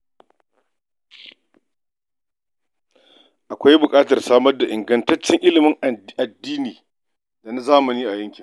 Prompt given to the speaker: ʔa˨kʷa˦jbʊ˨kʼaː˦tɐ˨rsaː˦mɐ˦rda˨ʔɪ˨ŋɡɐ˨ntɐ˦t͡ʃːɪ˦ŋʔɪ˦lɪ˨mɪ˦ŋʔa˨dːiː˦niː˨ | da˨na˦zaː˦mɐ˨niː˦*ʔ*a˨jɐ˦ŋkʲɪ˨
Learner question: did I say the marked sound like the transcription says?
yes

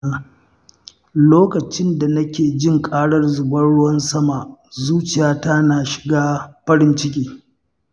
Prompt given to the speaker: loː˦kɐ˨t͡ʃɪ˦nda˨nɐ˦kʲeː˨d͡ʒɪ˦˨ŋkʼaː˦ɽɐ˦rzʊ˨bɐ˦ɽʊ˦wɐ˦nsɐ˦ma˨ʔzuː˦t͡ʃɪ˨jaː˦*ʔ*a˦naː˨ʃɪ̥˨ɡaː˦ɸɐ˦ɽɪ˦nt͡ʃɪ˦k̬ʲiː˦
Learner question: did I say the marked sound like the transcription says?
no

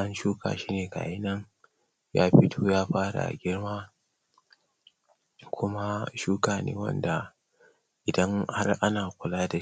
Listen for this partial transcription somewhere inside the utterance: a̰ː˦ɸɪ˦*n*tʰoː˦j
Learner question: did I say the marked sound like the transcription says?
no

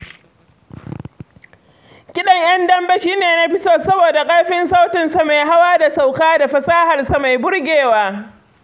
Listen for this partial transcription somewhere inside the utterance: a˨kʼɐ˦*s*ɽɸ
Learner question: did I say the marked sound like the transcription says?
no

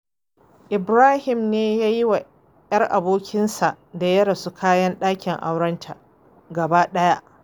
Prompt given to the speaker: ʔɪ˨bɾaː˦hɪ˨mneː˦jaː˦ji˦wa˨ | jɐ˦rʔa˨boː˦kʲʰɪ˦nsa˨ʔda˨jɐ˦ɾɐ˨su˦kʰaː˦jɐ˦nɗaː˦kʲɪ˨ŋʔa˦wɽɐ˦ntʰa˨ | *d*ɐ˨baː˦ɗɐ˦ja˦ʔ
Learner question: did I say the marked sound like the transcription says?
no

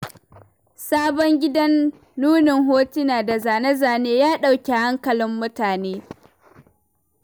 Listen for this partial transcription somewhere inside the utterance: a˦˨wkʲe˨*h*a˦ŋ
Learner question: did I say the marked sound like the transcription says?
yes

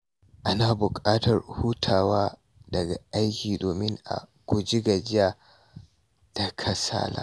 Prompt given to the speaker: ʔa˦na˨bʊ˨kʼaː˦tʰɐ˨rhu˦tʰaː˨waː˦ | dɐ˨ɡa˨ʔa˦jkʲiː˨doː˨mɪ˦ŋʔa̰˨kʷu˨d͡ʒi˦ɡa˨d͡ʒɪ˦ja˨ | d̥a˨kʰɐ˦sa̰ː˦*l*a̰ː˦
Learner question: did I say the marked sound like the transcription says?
yes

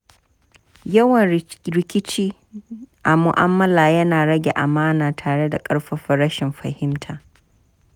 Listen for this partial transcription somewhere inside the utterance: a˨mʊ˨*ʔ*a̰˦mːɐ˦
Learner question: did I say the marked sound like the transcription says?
yes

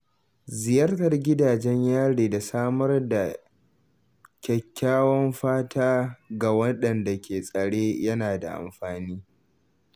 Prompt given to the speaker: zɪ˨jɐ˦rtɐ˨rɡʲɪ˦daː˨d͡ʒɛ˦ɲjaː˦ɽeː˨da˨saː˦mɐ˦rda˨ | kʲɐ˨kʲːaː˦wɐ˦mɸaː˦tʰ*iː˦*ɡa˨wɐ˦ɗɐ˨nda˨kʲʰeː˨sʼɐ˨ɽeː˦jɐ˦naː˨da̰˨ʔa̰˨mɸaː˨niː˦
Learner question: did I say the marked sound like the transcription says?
no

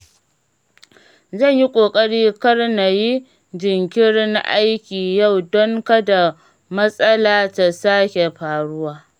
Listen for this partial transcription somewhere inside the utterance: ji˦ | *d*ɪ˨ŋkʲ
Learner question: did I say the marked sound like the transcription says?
no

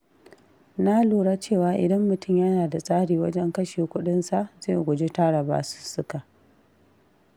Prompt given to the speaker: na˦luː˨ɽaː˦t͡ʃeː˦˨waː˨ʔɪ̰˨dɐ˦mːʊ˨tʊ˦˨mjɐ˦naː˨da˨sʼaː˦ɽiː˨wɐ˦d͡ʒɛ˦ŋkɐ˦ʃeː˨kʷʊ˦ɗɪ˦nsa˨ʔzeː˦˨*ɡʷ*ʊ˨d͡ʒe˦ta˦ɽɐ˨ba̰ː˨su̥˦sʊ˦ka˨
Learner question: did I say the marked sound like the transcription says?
yes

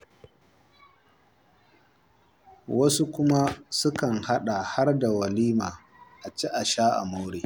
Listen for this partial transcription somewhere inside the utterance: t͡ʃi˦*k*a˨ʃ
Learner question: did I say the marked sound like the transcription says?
no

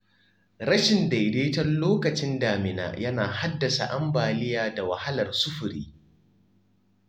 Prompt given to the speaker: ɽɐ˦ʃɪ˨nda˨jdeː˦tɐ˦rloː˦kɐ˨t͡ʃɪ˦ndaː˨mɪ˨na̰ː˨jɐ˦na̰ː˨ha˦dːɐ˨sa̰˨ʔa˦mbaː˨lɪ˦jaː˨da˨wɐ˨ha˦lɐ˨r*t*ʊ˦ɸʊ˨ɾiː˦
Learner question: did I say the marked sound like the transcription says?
no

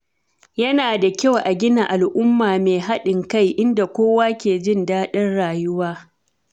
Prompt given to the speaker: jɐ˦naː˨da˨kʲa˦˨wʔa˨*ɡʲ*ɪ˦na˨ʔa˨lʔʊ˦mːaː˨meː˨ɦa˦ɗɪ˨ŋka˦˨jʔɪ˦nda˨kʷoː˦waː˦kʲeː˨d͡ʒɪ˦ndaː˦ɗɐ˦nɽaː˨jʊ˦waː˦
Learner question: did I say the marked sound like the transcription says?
yes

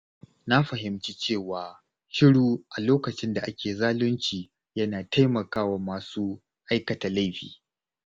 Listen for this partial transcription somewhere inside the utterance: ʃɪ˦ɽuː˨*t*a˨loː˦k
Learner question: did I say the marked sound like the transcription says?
no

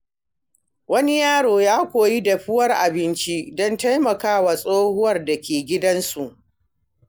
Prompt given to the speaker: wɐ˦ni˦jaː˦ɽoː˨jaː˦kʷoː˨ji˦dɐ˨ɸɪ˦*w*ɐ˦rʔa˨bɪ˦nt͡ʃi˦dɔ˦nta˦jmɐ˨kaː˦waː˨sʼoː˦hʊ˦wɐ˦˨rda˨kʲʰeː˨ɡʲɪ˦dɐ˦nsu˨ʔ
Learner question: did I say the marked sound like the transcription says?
yes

